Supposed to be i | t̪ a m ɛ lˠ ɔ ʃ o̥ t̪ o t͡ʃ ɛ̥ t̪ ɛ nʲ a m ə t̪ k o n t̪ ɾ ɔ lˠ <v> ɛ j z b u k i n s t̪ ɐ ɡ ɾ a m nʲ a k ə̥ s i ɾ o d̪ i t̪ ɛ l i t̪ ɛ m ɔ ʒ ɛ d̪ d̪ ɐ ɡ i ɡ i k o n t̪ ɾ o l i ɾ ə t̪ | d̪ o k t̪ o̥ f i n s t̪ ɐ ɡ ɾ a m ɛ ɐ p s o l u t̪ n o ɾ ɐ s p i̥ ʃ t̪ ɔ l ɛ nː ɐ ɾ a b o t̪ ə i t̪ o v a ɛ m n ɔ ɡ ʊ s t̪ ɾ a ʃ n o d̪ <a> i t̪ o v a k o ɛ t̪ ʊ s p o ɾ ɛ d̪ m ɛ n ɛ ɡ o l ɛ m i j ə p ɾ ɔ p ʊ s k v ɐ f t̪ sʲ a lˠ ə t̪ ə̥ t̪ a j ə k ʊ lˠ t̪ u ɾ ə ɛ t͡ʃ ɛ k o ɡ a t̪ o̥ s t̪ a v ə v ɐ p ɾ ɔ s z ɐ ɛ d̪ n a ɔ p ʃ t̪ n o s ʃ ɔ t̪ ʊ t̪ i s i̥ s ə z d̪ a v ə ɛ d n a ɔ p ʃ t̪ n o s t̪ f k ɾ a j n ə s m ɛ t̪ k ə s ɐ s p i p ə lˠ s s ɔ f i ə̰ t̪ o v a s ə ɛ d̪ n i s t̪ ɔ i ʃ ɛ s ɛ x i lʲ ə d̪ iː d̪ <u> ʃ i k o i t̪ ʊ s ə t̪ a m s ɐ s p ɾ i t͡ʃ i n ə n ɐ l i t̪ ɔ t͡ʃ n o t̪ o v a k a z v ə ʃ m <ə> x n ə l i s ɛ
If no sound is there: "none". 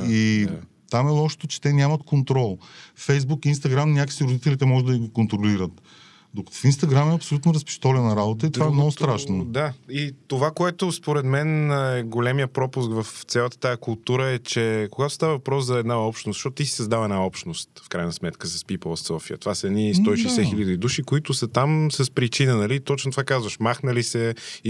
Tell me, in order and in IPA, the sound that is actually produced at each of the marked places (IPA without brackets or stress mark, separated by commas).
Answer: f, a, u, a